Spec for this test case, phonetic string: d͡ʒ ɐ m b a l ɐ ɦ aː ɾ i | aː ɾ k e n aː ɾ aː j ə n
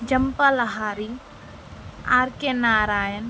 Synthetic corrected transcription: d͡ʒ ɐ m p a l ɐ ɦ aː ɾ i | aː ɾ k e n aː ɾ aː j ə n

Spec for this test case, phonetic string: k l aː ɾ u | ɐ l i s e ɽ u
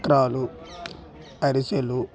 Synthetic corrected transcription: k ɾ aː l u | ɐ ɾ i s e l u

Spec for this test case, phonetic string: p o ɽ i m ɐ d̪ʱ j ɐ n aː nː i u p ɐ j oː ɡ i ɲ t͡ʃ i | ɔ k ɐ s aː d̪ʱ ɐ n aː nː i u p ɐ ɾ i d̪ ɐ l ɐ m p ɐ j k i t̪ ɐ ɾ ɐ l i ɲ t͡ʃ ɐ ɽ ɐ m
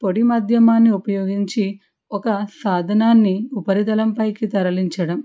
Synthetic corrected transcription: p o ɽ i m ɐ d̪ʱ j ɐ m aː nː i u p ɐ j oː ɡ i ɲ t͡ʃ i | ɔ k ɐ s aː d̪ʱ ɐ n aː nː i u p ɐ ɾ i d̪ ɐ l ɐ m p ɐ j k i t̪ ɐ ɾ ɐ l i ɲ t͡ʃ ɐ ɽ ɐ m

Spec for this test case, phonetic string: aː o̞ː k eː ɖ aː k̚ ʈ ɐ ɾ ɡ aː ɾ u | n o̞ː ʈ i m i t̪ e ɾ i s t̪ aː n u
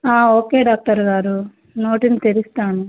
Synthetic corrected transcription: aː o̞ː k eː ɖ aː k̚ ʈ ɐ ɾ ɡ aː ɾ u | n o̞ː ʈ i n i t̪ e ɾ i s t̪ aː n u

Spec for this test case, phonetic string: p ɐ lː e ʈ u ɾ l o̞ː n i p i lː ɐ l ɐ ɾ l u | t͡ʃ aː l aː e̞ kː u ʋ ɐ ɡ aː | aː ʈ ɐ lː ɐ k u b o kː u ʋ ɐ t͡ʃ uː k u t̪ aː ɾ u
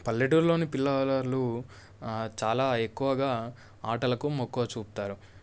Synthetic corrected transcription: p ɐ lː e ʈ u ɾ l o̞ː n i p i lː ɐ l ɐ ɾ l u | t͡ʃ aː l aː e̞ kː u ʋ ɐ ɡ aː | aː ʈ ɐ l ɐ k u m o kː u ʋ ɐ t͡ʃ uː p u t̪ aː ɾ u

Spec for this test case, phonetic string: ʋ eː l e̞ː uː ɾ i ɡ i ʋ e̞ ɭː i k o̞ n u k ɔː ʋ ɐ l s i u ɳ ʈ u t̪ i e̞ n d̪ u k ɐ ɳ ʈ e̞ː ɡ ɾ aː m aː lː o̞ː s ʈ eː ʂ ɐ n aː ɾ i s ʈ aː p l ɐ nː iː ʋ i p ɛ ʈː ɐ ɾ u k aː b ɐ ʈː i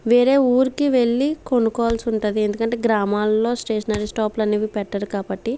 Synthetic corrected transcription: ʋ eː ɾ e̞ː uː ɾ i k i ʋ e̞ ɭː i k o̞ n u k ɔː ʋ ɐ l s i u ɳ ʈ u d̪ i e̞ n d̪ u k ɐ ɳ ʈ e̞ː ɡ ɾ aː m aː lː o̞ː s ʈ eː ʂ ɐ n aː ɾ i s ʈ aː p l ɐ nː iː ʋ i p ɛ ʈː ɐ ɾ u k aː b ɐ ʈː i

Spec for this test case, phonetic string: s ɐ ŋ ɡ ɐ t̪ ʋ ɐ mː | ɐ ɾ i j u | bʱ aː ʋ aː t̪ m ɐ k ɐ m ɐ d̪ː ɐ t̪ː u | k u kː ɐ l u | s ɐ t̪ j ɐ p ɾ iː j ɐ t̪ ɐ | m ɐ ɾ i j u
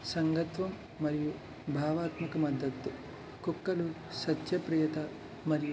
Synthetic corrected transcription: s ɐ ŋ ɡ ɐ t̪ ʋ ɐ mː | ɐ ɾ i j u | bʱ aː ʋ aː t̪ m ɐ k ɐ m ɐ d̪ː ɐ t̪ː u | k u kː ɐ l u | s ɐ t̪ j ɐ p ɾ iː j ɐ t̪ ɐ | m ɐ ɾ i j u

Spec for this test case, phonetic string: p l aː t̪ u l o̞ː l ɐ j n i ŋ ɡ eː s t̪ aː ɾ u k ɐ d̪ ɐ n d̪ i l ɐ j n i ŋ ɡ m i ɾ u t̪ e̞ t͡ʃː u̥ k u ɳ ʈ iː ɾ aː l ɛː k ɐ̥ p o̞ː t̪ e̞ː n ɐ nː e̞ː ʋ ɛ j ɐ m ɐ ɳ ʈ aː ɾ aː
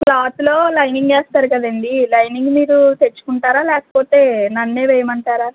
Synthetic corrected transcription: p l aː t̪ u l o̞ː l ɐ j n i ŋ ɡ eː s t̪ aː ɾ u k ɐ d̪ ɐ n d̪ i l ɐ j n i ŋ ɡ m iː ɾ u t̪ e̞ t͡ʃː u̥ k u ɳ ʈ aː ɾ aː l ɛː k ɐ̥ p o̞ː t̪ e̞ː n ɐ nː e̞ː ʋ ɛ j ɐ m ɐ ɳ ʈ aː ɾ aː

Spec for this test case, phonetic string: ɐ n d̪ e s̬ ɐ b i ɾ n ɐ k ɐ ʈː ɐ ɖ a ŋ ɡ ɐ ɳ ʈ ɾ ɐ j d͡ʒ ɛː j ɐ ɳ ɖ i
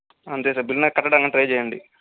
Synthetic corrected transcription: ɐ n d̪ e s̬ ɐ b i l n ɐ k ɐ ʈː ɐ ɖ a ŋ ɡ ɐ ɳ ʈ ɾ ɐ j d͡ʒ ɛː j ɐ ɳ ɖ i

